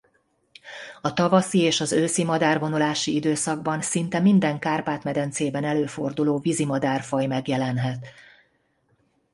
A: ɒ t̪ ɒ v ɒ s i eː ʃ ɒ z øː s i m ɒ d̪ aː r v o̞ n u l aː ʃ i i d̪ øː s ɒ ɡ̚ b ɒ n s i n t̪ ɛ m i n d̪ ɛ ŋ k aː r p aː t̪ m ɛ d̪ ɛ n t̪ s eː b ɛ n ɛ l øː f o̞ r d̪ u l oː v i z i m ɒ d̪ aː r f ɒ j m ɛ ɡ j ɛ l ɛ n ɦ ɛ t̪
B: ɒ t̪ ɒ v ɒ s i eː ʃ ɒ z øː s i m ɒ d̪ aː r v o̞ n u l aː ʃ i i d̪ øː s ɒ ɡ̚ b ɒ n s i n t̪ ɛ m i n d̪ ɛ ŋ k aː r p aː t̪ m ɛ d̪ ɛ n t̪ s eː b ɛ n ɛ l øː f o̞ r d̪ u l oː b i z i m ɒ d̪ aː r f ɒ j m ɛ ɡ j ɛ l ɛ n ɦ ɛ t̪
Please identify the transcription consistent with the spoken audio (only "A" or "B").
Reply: A